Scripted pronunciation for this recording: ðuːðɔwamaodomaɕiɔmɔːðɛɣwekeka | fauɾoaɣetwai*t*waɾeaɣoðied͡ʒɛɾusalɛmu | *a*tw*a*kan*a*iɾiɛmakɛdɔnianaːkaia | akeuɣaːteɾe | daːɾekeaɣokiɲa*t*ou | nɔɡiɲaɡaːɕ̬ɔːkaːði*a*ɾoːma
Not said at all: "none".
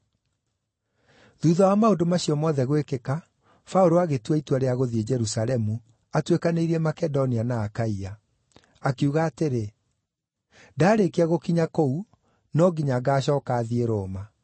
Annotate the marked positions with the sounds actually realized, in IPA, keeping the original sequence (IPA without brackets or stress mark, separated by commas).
t, a, e, e, k, e